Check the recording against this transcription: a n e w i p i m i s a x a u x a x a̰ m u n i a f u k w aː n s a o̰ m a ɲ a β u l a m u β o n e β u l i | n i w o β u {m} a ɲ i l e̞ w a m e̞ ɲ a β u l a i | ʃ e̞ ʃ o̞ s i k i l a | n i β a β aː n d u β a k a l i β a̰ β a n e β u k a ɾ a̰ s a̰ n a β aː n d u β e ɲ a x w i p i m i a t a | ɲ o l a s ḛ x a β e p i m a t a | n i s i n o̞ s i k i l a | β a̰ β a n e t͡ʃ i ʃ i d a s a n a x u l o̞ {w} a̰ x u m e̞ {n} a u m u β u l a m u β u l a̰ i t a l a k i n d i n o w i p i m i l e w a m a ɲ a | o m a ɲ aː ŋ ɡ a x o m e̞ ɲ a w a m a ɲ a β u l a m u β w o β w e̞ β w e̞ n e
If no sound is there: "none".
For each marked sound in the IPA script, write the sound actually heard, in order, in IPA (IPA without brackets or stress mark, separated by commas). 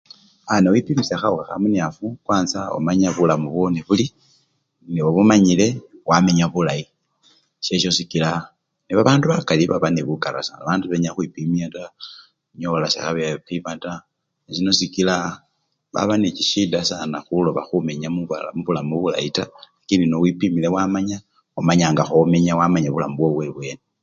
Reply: m, β, ɲ